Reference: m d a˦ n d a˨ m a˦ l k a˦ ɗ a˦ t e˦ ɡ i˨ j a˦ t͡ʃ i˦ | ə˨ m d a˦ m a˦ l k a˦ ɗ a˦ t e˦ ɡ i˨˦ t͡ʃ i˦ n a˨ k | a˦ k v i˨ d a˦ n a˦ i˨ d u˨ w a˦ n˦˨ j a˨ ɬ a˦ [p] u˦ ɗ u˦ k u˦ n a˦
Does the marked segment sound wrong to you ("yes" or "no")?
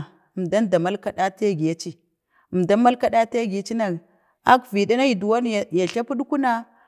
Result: no